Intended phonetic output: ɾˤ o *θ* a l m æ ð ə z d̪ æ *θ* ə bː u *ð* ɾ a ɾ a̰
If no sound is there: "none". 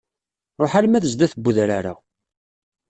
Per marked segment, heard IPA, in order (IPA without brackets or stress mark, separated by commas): ħ, θ, ð